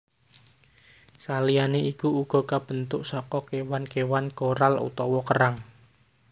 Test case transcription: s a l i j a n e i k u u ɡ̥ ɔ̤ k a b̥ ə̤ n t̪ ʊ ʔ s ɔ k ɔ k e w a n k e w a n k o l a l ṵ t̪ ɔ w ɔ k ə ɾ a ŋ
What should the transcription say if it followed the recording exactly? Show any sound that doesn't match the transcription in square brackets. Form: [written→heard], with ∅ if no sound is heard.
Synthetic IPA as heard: s a l i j a n e i k u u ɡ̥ ɔ̤ k a b̥ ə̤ n t̪ ʊ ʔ s ɔ k ɔ k e w a n k e w a n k o [l→ɾ] a l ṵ t̪ ɔ w ɔ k ə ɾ a ŋ